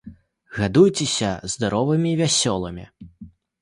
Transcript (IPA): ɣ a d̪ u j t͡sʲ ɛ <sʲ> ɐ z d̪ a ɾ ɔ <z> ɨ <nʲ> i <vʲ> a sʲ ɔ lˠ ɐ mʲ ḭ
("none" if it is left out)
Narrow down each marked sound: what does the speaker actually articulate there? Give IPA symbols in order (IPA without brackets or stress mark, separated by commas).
sʲ, v, mʲ, vʲ